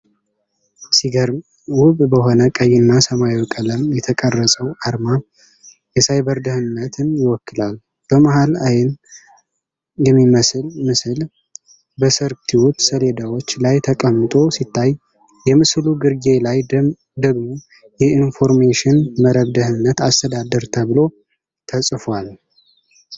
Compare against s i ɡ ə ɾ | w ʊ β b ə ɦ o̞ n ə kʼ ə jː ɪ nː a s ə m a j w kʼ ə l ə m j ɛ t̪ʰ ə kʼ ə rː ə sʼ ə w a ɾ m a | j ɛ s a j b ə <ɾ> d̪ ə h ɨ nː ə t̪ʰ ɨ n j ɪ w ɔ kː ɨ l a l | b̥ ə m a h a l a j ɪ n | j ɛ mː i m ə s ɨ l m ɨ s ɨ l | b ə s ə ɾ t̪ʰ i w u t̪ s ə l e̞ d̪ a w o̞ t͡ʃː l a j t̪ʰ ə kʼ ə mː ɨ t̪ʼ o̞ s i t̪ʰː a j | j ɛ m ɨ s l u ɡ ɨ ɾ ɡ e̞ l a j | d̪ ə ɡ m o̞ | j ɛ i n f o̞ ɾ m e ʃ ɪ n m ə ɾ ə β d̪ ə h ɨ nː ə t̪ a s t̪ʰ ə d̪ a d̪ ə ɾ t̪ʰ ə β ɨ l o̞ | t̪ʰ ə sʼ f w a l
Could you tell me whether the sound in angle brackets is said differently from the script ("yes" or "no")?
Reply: no